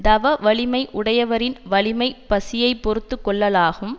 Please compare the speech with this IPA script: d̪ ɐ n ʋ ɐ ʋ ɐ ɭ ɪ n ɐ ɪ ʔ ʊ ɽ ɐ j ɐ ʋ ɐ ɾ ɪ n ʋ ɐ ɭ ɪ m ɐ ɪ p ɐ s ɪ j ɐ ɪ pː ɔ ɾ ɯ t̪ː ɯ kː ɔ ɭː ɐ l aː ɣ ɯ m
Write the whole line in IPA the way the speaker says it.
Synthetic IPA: d̪ ɐ ʋ ɐ ʋ ɐ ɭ ɪ m ɐ ɪ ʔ ʊ ɽ ɐ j ɐ ʋ ɐ ɾ ɪ n ʋ ɐ ɭ ɪ m ɐ ɪ p ɐ s ɪ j ɐ ɪ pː ɔ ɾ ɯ t̪ː ɯ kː ɔ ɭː ɐ l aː ɣ ɯ m

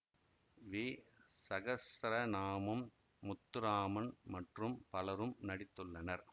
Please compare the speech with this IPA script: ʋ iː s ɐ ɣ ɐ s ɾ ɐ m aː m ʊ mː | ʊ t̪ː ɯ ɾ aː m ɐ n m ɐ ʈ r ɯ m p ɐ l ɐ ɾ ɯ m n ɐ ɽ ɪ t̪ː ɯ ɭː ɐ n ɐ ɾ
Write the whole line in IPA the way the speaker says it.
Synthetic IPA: ʋ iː s ɐ ɣ ɐ s ɾ ɐ n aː m ɯ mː | ʊ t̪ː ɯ ɾ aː m ɐ n m ɐ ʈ r ɯ m p ɐ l ɐ ɾ ɯ m n ɐ ɽ ɪ t̪ː ɯ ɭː ɐ n ɐ ɾ

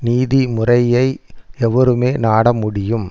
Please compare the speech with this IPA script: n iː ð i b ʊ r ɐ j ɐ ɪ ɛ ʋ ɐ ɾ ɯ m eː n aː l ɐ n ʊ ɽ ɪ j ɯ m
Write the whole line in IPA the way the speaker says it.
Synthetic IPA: n iː ð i m ʊ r ɐ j ɐ ɪ ɛ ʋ ɐ ɾ ɯ m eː n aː ɽ ɐ m ʊ ɽ ɪ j ɯ m

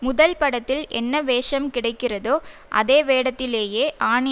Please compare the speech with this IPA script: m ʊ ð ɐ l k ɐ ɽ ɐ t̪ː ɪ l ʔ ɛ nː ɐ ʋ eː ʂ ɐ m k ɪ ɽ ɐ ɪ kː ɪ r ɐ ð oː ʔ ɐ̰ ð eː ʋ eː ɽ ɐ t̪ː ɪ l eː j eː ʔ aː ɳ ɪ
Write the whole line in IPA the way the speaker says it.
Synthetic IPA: m ʊ ð ɐ l p ɐ ɽ ɐ t̪ː ɪ l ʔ ɛ nː ɐ ʋ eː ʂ ɐ m k ɪ ɽ ɐ ɪ kː ɪ r ɐ ð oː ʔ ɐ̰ ð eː ʋ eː ɽ ɐ t̪ː ɪ l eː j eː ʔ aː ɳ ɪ

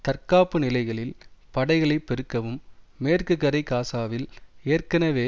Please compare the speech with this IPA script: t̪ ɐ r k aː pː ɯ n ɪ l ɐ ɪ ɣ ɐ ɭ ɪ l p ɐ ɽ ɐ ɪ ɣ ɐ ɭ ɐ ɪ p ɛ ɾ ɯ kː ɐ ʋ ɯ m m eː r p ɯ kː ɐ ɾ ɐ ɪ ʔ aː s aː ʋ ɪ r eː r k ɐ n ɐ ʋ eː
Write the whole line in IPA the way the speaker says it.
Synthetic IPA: t̪ ɐ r k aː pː ɯ n ɪ l ɐ ɪ ɣ ɐ ɭ ɪ l p ɐ ɽ ɐ ɪ ɣ ɐ ɭ ɐ ɪ p ɛ ɾ ɯ kː ɐ ʋ ɯ m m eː r k ɯ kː ɐ ɾ ɐ ɪ k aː s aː ʋ ɪ l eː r k ɐ n ɐ ʋ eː

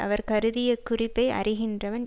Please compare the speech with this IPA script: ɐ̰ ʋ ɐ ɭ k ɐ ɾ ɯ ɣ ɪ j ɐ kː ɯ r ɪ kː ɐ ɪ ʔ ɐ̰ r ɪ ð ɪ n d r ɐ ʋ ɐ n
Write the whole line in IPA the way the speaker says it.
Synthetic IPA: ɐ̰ ʋ ɐ ɾ k ɐ ɾ ɯ ð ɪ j ɐ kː ʊ r ɪ pː ɐ ɪ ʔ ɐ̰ r ɪ ɣ ɪ n d r ɐ ʋ ɐ n

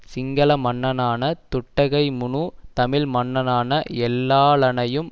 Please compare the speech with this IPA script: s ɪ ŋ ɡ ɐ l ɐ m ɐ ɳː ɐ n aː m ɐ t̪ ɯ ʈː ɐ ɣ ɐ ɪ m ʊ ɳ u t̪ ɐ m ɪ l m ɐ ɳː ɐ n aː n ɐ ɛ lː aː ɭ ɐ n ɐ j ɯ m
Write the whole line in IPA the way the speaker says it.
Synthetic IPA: s ɪ ŋ ɡ ɐ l ɐ m ɐ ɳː ɐ n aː n ɐ t̪ ʊ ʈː ɐ ɣ ɐ ɪ m ʊ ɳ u t̪ ɐ m ɪ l m ɐ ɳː ɐ n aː n ɐ ɛ lː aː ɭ ɐ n ɐ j ɯ m

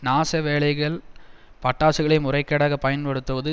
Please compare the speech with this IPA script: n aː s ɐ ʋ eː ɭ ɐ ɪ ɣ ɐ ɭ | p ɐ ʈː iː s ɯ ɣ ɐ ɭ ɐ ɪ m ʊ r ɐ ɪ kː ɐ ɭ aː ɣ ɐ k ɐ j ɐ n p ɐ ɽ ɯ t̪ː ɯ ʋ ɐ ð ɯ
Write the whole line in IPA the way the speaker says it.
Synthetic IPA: n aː s ɐ ʋ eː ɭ ɐ ɪ ɣ ɐ ɭ | p ɐ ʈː aː s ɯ ɣ ɐ ɭ ɐ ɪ m ʊ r ɐ ɪ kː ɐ ɽ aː ɣ ɐ p ɐ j ɐ n p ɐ ɽ ɯ t̪ː ɯ ʋ ɐ ð ɯ

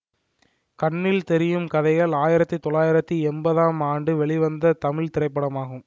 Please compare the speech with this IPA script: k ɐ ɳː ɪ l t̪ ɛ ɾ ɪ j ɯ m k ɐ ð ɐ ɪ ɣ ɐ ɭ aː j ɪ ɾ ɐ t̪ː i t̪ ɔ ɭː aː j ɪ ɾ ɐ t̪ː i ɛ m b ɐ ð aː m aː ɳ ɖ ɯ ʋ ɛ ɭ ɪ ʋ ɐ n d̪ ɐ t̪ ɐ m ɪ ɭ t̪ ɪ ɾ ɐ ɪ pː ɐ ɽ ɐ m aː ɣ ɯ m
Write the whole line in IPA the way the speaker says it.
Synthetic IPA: k ɐ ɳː ɪ l t̪ ɛ ɾ ɪ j ɯ m k ɐ ð ɐ ɪ ɣ ɐ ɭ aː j ɪ ɾ ɐ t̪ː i t̪ ɔ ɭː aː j ɪ ɾ ɐ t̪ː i ɛ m b ɐ ð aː m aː ɳ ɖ ɯ ʋ ɛ ɭ ɪ ʋ ɐ n d̪ ɐ t̪ ɐ m ɪ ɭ t̪ ɪ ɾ ɐ ɪ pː ɐ ɽ ɐ m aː ɣ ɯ m

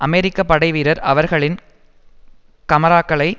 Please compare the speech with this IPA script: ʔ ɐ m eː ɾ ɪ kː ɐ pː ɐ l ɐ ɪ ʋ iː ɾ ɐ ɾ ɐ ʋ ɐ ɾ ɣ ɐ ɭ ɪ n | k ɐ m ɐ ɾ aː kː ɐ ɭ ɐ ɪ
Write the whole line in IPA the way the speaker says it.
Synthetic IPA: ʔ ɐ m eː ɾ ɪ kː ɐ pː ɐ ɽ ɐ ɪ ʋ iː ɾ ɐ ɾ ɐ ʋ ɐ ɾ ɣ ɐ ɭ ɪ n | k ɐ m ɐ ɾ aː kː ɐ ɭ ɐ ɪ

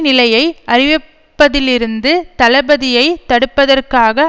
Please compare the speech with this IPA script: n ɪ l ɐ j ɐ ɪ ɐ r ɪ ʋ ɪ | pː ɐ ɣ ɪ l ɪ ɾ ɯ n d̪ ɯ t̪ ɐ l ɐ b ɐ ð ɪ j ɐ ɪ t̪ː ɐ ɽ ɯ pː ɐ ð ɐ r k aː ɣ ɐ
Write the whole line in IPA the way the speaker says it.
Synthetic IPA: n ɪ l ɐ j ɐ ɪ ɐ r ɪ ʋ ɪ | pː ɐ ð ɪ l ɪ ɾ ɯ n d̪ ɯ t̪ ɐ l ɐ b ɐ ð ɪ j ɐ ɪ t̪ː ɐ ɽ ɯ pː ɐ ð ɐ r k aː ɣ ɐ

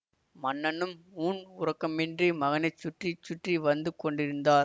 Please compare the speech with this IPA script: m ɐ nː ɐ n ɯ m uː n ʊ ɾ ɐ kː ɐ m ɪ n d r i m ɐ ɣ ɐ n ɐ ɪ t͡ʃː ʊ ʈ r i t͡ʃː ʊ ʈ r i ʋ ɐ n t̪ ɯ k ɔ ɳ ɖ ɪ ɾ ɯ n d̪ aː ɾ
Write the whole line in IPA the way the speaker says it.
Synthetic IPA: m ɐ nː ɐ n ɯ m uː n ʊ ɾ ɐ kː ɐ m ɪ n d r i m ɐ ɣ ɐ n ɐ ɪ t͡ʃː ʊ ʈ r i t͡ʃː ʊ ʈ r i ʋ ɐ n d̪ ɯ k ɔ ɳ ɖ ɪ ɾ ɯ n d̪ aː ɾ

